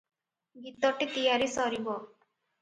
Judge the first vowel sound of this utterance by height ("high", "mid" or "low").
high